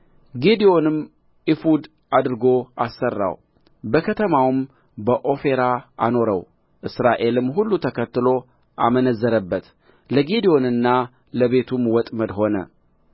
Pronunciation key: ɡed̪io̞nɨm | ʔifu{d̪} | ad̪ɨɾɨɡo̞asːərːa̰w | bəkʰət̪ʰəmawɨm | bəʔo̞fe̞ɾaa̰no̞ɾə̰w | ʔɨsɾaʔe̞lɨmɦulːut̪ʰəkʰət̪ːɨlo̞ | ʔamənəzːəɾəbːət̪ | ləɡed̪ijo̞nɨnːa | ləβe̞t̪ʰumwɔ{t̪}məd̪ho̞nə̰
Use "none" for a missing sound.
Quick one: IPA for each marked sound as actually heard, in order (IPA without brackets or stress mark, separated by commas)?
d̪, t̪ʼ